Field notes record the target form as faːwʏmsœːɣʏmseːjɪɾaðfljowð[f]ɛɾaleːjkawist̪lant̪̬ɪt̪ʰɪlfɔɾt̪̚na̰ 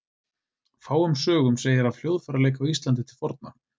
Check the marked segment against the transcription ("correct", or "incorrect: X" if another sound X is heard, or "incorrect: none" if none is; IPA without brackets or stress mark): correct